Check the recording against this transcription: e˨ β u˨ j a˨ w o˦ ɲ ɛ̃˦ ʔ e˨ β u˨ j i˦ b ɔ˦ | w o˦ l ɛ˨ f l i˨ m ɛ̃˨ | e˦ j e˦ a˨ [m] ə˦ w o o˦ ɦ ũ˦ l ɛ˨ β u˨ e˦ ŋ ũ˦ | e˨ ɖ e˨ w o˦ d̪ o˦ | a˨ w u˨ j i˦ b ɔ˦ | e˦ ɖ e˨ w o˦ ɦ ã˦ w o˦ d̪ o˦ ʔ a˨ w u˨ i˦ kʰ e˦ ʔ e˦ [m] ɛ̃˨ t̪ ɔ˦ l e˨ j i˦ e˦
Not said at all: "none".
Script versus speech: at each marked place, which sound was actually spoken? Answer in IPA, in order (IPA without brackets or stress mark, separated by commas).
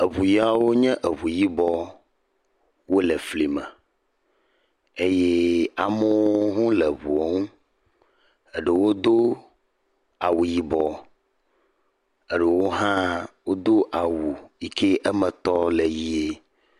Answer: m, m